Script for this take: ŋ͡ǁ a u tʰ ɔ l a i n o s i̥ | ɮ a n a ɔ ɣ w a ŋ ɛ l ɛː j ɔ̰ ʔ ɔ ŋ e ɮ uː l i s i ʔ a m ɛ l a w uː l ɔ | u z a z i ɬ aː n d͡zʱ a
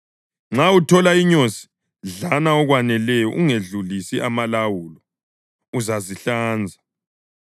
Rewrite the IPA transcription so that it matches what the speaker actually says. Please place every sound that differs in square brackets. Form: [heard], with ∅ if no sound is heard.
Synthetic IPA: ŋ͡ǁ a u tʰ ɔ l a i [ɲ] o s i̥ | ɮ a n a ɔ ɣ w a [n] ɛ l [ɛ] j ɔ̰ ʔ [u] ŋ e ɮ [u] l i s i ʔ a m [a] l a w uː l ɔ | u z a z i ɬ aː n d͡zʱ a